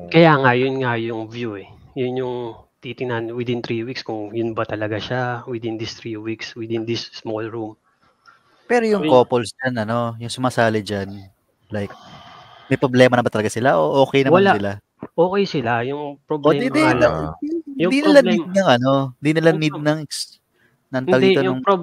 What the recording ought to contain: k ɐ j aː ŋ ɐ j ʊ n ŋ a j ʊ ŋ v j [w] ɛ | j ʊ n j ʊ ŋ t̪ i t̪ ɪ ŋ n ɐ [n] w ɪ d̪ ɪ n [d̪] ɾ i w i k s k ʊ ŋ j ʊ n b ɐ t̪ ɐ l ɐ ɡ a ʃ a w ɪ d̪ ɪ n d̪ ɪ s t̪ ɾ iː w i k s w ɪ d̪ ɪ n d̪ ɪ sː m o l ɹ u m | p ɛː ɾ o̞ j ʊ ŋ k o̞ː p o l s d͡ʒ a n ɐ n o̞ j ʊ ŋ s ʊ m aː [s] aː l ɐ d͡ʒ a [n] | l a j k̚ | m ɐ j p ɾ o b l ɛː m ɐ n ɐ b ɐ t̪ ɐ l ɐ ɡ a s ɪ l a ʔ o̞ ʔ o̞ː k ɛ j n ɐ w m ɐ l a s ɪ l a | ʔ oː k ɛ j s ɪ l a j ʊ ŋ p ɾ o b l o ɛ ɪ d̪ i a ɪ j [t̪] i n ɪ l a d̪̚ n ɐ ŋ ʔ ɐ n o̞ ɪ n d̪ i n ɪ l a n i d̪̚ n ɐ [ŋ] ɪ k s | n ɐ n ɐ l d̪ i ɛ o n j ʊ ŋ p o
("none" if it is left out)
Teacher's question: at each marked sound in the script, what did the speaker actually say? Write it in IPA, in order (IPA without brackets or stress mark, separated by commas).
u, n, t̪, s, n, d̪, ŋ